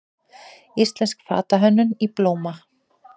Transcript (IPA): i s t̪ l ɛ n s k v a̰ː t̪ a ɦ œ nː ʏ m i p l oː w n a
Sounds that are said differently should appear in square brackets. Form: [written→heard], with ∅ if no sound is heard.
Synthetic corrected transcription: i s t̪ l ɛ n s k [v→f] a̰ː t̪ a ɦ œ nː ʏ [m→n] i p l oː w [n→m] a

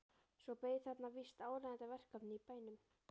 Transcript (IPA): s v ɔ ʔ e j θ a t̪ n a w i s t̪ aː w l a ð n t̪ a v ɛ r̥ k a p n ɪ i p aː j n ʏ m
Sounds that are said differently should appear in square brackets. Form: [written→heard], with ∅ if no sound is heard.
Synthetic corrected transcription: s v ɔ [ʔ→p] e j θ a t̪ n a [w→v] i s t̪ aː w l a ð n t̪ a v ɛ r̥ k a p n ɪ i p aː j n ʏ m

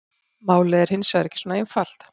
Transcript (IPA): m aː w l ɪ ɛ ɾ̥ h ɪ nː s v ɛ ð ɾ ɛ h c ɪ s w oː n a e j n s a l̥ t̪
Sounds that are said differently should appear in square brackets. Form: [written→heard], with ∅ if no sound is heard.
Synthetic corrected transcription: m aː w l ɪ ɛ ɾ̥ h ɪ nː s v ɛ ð ɾ ɛ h c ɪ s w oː n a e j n [s→f] a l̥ t̪

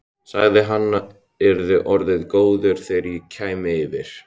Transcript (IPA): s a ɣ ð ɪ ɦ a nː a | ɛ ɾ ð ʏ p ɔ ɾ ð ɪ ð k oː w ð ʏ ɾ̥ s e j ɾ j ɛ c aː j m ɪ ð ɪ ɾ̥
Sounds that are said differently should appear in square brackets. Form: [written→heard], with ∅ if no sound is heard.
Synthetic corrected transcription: s a ɣ ð ɪ ɦ a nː a | ɛ ɾ ð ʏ [p→ʔ] ɔ ɾ ð ɪ ð k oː w ð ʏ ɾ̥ [s→θ] e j ɾ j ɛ [c→cʰ] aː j m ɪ [ð→v] ɪ ɾ̥

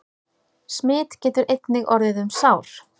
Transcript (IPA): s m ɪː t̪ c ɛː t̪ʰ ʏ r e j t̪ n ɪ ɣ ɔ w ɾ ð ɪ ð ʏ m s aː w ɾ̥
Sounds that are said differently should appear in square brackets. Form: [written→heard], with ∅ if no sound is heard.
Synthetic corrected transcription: s m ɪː t̪ c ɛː [t̪ʰ→t̪] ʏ [r→ɾ] e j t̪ n ɪ ɣ ɔ [w→∅] ɾ ð ɪ ð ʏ m s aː w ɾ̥

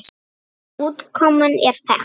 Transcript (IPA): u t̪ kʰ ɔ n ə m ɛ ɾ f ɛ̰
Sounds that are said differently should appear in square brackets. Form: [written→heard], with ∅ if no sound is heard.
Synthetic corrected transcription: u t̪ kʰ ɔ [n→m] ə [m→n] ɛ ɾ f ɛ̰

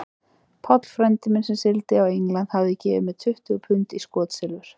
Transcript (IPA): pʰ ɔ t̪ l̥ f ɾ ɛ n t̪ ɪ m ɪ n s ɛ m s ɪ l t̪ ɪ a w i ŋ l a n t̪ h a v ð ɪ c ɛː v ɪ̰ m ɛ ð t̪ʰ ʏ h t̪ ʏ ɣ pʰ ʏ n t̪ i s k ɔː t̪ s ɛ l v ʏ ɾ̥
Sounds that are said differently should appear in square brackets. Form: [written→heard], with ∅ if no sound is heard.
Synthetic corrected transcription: pʰ ɔ t̪ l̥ f ɾ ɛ n t̪ ɪ m ɪ n s ɛ m s ɪ l t̪ ɪ a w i ŋ l a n t̪ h a v ð ɪ c ɛː v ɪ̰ m ɛ ð t̪ʰ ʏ h t̪ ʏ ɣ pʰ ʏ n t̪ i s k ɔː t̪ s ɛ l v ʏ ɾ̥

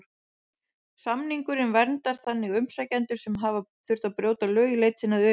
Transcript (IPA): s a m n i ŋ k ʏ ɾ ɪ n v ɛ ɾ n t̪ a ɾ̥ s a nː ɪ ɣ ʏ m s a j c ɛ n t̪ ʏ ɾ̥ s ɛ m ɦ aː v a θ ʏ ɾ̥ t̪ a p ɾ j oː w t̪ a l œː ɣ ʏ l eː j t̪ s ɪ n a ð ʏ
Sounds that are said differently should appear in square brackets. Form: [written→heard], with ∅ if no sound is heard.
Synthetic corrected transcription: s a m n i ŋ k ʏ ɾ ɪ n v ɛ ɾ n t̪ a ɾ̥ [s→θ] a nː ɪ ɣ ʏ m s a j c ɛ n t̪ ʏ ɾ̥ s ɛ m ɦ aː v a θ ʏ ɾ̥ t̪ a p ɾ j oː w t̪ a l œː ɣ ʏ l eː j t̪ s ɪ n a ð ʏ

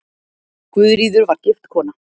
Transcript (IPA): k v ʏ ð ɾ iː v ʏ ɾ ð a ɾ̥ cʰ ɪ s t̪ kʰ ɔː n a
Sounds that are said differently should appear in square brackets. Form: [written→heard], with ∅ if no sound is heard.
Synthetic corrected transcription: k v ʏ ð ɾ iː [v→ð] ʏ ɾ [ð→v] a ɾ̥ [cʰ→c] ɪ [s→f] t̪ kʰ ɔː n a

